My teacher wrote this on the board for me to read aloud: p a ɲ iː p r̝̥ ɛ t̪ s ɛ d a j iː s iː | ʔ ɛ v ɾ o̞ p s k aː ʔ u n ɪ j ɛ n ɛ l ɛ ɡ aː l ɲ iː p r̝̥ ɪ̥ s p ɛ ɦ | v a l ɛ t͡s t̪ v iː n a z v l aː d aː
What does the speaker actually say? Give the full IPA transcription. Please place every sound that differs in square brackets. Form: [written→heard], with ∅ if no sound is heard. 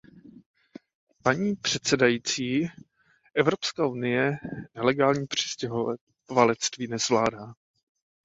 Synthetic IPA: p a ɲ iː p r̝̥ ɛ t̪ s ɛ d a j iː [s→t͡s] iː | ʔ ɛ v ɾ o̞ p s k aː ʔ u n ɪ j ɛ n ɛ l ɛ ɡ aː l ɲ iː p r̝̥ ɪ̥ s [p→c] ɛ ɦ | v a l ɛ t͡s t̪ v iː n [a→ɛ] z v l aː d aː